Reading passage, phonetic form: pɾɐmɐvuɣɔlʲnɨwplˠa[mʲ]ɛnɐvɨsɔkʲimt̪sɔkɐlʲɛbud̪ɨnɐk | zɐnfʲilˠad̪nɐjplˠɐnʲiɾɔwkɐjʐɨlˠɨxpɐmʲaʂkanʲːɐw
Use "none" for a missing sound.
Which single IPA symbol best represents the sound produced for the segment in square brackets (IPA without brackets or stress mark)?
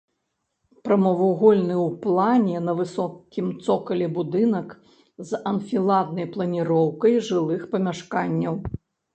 nʲ